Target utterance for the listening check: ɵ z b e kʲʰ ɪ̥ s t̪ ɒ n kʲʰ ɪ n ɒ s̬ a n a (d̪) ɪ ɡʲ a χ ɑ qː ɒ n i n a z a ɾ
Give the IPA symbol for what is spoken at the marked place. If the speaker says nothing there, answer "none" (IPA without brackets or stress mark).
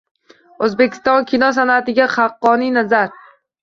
t̪